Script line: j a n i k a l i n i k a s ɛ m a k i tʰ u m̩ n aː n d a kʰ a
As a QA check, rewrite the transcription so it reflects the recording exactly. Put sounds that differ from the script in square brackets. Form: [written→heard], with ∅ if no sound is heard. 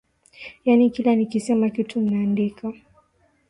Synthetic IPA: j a n i k [a→i] l [i→a] n i k [a→i] s ɛ m a k i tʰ u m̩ n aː n d [a→i] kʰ a